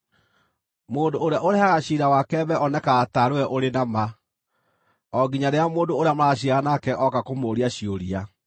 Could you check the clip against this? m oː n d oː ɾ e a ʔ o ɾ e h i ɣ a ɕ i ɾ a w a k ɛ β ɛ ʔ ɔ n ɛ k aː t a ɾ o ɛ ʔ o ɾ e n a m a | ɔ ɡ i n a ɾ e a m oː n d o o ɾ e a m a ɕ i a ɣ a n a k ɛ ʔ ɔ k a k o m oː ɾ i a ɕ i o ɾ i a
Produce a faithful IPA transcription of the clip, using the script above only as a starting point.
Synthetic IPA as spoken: m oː n d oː ɾ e a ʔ o ɾ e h a ɣ a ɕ i ɾ a w a k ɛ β ɛ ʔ ɔ n ɛ k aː t a ɾ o ɛ ʔ o ɾ e n a m a | ɔ ɡ i ɲ a ɾ e a m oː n d o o ɾ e a m a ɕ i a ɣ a n a k ɛ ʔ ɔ k a k o m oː ɾ i a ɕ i o ɾ i a

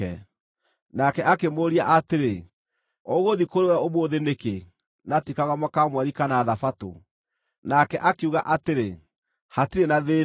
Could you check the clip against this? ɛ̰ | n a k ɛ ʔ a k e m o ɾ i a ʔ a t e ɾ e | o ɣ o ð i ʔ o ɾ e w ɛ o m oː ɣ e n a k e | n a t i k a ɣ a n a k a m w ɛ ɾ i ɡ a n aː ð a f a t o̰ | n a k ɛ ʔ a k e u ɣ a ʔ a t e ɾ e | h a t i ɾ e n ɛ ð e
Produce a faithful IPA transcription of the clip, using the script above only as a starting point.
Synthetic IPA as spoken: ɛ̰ | n a k ɛ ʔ a k e m o ɾ i a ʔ a t e ɾ e | o ɣ o ð i k o ɾ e w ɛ o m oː ð e n e k e | n a t i k a ɣ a m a k a m w ɛ ɾ i k a n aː ð a f a t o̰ | n a k ɛ ʔ a k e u ɣ a ʔ a t e ɾ e | h a t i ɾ e n a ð e

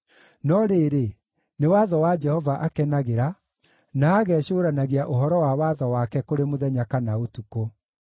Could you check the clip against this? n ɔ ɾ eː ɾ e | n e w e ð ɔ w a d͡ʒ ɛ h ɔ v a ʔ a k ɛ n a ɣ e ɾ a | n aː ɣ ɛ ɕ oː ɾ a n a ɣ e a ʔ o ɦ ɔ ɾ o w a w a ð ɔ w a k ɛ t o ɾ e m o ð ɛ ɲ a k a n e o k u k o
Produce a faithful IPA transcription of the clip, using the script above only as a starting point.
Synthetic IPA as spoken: n ɔ ɾ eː ɾ e | n e w a ð ɔ w a d͡ʒ ɛ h ɔ v a ʔ a k ɛ n a ɣ e ɾ a | n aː ɣ ɛ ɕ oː ɾ a n a ɣ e a ʔ o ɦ ɔ ɾ ɔ w a w a ð ɔ w a k ɛ k o ɾ e m o ð ɛ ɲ a k a n a o t u k o

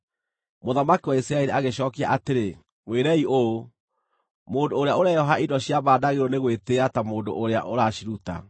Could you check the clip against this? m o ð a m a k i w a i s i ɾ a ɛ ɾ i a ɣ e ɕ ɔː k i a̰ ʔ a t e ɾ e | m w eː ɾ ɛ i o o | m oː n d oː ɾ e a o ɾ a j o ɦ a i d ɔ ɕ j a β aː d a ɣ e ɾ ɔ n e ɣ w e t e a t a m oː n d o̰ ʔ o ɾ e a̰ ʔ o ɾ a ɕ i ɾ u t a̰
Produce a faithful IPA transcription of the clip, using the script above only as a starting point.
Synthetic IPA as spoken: m o ð a m a k i w a i s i ɾ a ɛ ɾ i a ɣ e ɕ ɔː k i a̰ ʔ a t e ɾ e | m w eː ɾ ɛ i o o | m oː n d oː ɾ e a o ɾ a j ɔ ɦ a i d ɔ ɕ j a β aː d a ɣ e ɾ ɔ n e ɣ w e t e a t a m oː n d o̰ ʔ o ɾ e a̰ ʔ o ɾ a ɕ i ɾ u t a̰

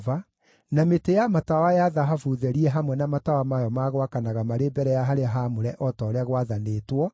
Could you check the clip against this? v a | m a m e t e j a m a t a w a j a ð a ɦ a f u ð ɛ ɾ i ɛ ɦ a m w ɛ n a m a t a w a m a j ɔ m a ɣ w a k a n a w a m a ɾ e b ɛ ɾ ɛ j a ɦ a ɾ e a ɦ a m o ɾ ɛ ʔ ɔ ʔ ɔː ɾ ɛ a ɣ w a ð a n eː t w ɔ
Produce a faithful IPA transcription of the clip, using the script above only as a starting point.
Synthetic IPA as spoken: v a | n a m e t e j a m a t a w a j a ð a ɦ a f u ð ɛ ɾ i ɛ ɦ a m w ɛ n a m a t a w a m a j ɔ m a ɣ w a k a n a ɣ a m a ɾ e b ɛ ɾ ɛ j a ɦ a ɾ e a ɦ a m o ɾ ɛ ʔ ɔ t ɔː ɾ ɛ a ɣ w a ð a n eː t w ɔ

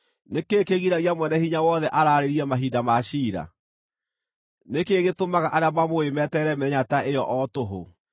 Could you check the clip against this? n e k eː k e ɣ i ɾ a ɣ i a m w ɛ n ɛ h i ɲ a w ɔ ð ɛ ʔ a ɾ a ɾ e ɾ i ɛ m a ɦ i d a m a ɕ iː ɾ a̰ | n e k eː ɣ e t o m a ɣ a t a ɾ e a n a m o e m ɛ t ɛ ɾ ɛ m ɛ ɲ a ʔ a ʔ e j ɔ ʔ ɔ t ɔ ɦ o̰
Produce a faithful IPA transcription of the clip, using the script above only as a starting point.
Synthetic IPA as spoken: n e k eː k e ɣ i ɾ a ɣ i a m w ɛ n ɛ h i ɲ a w ɔ ð ɛ ʔ a ɾ a ɾ e ɾ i ɛ m a ɦ i d a m a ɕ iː ɾ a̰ | n e k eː ɣ e t o m a ɣ a ʔ a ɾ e a m a m o e m ɛ t ɛ ɾ ɛ m ɛ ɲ a t a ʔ e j ɔ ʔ ɔ t o ɦ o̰

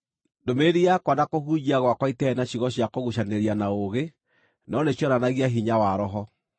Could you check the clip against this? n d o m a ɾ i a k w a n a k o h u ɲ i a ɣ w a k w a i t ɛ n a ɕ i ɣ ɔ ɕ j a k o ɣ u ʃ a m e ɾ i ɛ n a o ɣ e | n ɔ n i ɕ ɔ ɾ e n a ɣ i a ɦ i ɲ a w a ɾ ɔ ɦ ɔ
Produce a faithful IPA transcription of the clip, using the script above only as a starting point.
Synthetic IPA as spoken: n d o m e ɾ i a k w a n a k o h u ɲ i a ɣ w a k w a i t ɛ n a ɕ i ɣ ɔ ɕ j a k o ɣ u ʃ a n e ɾ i a n a o ɣ e | n ɔ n e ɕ ɔ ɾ a n a ɣ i a ɦ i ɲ a w a ɾ ɔ ɦ ɔ

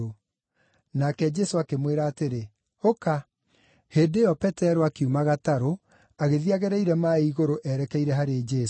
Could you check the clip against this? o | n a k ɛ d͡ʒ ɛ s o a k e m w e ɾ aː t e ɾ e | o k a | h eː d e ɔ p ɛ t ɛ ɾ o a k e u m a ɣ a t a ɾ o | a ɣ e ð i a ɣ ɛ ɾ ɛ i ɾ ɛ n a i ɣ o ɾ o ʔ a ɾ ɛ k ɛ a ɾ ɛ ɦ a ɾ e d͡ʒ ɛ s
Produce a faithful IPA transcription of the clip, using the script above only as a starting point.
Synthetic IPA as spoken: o | n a k ɛ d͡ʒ ɛ s o a k e m w e ɾ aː t e ɾ e | o k a | h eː d e ɔ p ɛ t ɛ ɾ o a k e u m a ɣ a t a ɾ o | a ɣ e ð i a ɣ ɛ ɾ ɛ i ɾ ɛ m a i ɣ o ɾ o ʔ ɛ ɾ ɛ k ɛ i ɾ ɛ ɦ a ɾ e d͡ʒ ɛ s

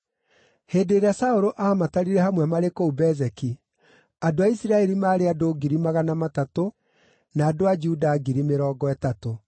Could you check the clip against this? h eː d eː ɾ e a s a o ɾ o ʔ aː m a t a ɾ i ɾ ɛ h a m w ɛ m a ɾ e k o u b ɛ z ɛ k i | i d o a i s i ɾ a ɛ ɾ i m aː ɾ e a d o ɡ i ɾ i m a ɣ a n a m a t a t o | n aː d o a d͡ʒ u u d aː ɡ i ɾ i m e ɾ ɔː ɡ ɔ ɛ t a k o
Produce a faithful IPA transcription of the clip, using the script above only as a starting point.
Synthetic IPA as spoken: h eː d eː ɾ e a s a o ɾ o ʔ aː m a t a ɾ i ɾ ɛ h a m w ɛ m a ɾ e k o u b ɛ z ɛ k i | a d o a i s i ɾ a ɛ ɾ i m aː ɾ e a d o ɡ i ɾ i m a ɣ a n a m a t a t o | n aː d o a d͡ʒ u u d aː ɡ i ɾ i m e ɾ ɔː ɡ ɔ ɛ t a t o

